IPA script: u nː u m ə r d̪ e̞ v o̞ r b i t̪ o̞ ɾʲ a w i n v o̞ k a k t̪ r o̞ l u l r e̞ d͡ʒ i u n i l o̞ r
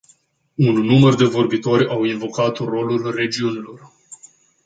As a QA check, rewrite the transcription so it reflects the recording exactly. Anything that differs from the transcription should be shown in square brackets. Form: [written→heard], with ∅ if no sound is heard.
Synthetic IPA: u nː u m ə r d̪ e̞ v o̞ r b i t̪ o̞ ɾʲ a w i n v o̞ k a [k→∅] t̪ r o̞ l u l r e̞ d͡ʒ i u n i l o̞ r